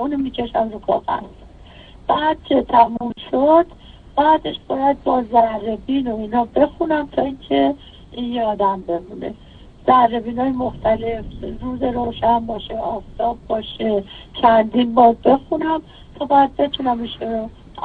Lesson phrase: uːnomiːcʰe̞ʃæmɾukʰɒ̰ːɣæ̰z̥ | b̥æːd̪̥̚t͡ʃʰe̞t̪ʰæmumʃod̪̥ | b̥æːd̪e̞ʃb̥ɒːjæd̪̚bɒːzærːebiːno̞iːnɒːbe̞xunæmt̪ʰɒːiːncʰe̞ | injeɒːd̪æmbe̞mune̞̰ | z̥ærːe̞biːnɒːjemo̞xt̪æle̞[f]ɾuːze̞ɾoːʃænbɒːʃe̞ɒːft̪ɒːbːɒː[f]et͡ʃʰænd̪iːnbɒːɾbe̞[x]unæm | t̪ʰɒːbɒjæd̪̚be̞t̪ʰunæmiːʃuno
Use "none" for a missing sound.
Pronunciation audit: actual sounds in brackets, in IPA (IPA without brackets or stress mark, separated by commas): f, ʃ, x